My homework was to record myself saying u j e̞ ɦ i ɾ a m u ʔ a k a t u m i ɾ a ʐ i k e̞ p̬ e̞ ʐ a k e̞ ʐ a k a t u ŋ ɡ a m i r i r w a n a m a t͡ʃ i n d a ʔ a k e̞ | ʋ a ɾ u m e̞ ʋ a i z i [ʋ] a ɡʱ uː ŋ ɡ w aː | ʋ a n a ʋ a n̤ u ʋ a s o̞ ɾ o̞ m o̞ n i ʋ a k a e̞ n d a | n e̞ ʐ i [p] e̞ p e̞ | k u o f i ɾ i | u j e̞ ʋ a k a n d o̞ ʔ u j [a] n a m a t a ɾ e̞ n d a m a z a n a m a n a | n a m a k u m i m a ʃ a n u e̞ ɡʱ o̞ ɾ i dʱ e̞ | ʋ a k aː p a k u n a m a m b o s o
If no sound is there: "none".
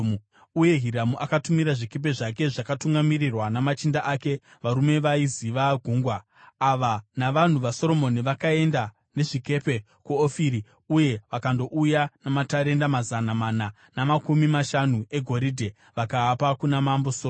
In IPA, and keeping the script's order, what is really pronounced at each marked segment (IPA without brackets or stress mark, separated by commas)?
ʋ, k, a